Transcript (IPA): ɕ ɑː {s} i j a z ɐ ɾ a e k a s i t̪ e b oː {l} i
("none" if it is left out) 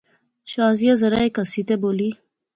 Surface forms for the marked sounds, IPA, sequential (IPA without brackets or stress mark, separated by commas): z, l